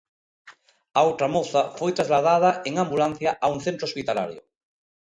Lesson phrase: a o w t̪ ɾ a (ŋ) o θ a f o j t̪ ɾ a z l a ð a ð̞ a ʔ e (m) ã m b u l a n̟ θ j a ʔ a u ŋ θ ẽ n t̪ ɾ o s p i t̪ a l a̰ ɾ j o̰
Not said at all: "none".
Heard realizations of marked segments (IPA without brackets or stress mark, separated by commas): m, ŋ